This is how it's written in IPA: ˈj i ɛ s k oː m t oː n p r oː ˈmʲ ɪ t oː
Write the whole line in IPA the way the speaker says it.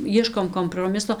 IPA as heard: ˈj i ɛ ʃ k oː m k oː m p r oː ˈmʲ ɪ s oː